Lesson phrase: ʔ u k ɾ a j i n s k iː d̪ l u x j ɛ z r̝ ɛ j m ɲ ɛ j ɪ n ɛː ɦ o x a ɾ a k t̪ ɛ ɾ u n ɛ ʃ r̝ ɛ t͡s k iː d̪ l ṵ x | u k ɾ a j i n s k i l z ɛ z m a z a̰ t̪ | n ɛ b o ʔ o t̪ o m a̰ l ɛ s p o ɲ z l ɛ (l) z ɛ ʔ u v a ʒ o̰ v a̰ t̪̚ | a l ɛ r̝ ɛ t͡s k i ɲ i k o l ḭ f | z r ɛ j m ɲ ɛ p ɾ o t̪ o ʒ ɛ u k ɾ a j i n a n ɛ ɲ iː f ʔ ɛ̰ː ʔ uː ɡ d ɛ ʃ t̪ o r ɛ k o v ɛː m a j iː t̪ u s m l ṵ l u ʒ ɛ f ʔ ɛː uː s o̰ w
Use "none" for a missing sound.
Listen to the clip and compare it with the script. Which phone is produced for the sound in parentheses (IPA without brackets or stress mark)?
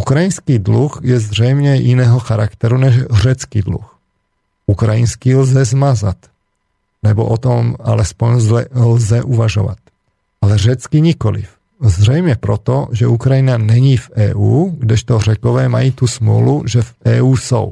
l